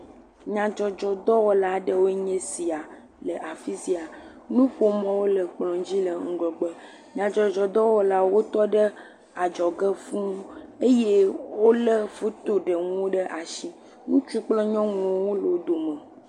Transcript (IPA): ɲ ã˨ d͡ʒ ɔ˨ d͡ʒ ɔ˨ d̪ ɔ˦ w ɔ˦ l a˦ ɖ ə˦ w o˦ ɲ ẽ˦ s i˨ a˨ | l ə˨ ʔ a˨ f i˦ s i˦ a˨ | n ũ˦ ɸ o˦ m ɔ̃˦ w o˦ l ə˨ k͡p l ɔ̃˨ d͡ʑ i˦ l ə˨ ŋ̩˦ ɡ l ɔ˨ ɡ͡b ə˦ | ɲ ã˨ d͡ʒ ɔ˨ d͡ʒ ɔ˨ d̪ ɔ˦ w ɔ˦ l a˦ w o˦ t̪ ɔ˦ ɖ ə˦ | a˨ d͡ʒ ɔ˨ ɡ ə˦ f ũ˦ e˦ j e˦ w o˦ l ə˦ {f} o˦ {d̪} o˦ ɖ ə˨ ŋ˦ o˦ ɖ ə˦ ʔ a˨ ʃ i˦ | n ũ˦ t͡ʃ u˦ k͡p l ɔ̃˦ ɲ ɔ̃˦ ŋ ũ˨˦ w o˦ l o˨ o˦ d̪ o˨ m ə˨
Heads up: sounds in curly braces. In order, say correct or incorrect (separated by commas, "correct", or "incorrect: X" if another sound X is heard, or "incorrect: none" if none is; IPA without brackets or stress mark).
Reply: correct, incorrect: t̪